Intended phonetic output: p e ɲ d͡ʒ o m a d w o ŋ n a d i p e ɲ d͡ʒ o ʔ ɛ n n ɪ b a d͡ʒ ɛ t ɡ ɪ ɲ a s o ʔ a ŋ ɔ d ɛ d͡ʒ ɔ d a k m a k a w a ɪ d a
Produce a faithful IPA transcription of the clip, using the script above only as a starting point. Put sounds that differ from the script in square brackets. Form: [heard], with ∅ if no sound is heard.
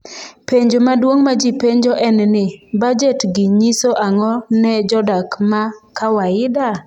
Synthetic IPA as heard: p e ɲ d͡ʒ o m a d w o ŋ [m] a [d͡ʒ] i p e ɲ d͡ʒ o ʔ ɛ n n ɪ b a d͡ʒ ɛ t ɡ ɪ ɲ [i] s o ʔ a ŋ ɔ [n] ɛ d͡ʒ ɔ d a k m a k a w a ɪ d a

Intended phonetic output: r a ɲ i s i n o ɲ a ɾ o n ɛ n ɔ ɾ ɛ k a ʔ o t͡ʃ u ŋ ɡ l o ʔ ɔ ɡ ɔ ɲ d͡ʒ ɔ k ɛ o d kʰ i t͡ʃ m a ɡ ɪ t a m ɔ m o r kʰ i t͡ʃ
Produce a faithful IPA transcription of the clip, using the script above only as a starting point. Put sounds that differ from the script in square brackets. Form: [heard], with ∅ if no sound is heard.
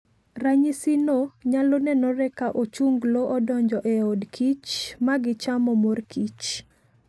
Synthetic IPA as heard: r a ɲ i s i n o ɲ a [l] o n ɛ n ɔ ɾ ɛ k a ʔ o t͡ʃ u ŋ ɡ l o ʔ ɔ [d] ɔ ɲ d͡ʒ ɔ [ʔ] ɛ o d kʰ i t͡ʃ m a ɡ ɪ [t͡ʃ] a m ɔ m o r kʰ i t͡ʃ

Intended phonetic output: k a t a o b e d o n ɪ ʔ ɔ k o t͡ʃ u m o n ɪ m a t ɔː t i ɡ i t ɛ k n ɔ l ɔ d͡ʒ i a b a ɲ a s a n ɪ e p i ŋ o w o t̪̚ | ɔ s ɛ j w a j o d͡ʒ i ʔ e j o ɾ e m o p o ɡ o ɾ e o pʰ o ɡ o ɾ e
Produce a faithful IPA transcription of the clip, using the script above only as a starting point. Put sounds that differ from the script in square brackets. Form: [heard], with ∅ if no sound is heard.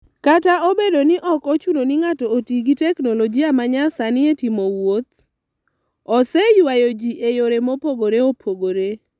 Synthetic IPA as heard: k a t a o b e d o n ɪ ʔ ɔ k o t͡ʃ u [n] o n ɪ [ŋ] a t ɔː t i ɡ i t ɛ k n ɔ l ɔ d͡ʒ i a [m] a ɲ a s a n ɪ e [t] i [m] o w o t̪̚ | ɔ s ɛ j w a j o d͡ʒ i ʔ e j o ɾ e m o p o ɡ o ɾ e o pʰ o ɡ o ɾ e

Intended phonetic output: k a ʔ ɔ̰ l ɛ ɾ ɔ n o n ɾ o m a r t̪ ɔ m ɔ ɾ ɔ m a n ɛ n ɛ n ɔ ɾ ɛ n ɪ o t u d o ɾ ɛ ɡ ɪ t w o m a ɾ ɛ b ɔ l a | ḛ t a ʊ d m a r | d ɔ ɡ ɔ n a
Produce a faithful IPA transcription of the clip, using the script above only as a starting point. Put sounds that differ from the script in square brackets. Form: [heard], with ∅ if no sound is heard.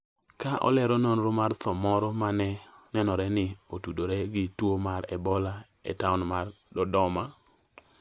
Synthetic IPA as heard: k a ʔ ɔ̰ l ɛ ɾ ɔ n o n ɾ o m a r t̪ ɔ m ɔ ɾ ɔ m a n ɛ n ɛ n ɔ ɾ ɛ n ɪ o t u d o ɾ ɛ ɡ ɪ t w o m a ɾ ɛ b ɔ l a | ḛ t a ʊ [n] m a r | d ɔ [d] ɔ [m] a

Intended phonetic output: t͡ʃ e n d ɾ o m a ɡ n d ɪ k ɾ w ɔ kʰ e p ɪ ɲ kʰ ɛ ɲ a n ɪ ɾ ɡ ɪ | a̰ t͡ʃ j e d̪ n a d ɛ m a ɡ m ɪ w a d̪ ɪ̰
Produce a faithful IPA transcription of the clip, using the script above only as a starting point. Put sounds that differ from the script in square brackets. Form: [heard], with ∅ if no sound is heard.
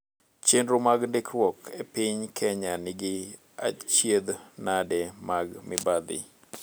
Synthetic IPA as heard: t͡ʃ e n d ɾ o m a ɡ n d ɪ k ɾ w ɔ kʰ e p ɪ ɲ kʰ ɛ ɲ a n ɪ [∅] ɡ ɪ | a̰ t͡ʃ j e d̪ n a d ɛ m a ɡ m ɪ [b] a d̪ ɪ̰

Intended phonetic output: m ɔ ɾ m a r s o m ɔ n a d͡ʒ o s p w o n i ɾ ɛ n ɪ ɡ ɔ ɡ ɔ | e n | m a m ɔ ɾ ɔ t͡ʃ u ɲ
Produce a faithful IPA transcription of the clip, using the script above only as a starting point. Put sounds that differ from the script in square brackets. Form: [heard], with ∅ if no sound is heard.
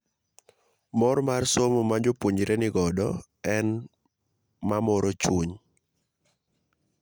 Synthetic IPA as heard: m ɔ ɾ m a r s o m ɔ [m] a d͡ʒ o [∅] p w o [ɲ] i ɾ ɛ n ɪ ɡ ɔ [d] ɔ | [ɛ] n | m a m ɔ ɾ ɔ t͡ʃ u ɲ

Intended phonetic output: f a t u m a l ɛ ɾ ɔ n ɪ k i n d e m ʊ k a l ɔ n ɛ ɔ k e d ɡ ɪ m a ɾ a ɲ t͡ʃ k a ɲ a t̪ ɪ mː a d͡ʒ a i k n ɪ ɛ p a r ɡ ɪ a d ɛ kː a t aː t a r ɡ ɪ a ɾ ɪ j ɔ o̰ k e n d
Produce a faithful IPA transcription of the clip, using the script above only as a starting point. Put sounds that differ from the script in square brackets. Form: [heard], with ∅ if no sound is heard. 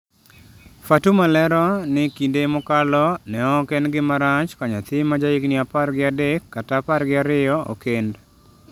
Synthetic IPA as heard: f a t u m a l ɛ ɾ ɔ n ɪ k i n d e m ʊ k a l ɔ n ɛ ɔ k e [n] ɡ ɪ m a ɾ a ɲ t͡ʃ k a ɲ a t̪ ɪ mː a d͡ʒ a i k n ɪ [a] p a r ɡ ɪ a d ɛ kː a t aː [p] a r ɡ ɪ a ɾ ɪ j ɔ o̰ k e n d

